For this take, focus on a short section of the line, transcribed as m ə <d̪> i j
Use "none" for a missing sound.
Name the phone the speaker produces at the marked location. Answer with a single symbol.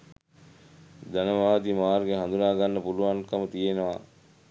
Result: t̪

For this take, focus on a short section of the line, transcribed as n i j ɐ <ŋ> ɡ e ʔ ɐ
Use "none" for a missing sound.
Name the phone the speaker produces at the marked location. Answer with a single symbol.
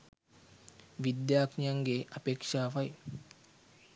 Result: ŋ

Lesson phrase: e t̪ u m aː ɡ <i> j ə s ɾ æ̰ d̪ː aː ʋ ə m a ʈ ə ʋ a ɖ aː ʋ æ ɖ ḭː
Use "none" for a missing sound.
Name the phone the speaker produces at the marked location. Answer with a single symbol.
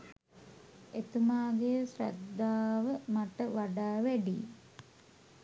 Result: e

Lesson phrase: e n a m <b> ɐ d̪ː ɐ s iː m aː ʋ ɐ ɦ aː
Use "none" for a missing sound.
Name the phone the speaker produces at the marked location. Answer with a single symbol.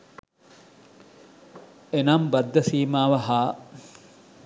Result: b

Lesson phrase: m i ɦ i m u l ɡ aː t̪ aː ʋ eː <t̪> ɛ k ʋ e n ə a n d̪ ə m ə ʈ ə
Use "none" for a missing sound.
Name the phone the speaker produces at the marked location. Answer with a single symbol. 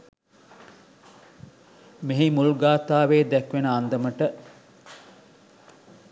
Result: d̪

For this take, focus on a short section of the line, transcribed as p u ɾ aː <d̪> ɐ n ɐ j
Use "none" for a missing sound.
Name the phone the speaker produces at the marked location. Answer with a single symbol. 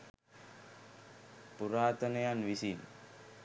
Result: t̪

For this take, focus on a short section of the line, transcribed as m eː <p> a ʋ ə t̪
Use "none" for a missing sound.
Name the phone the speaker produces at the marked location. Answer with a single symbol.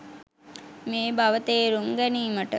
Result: b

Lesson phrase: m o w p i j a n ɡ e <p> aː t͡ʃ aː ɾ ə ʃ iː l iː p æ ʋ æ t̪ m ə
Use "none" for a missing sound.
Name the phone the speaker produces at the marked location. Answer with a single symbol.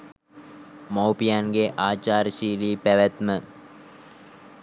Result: ʔ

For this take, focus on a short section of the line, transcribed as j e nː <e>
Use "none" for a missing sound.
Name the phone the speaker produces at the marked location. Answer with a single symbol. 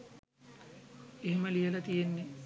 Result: e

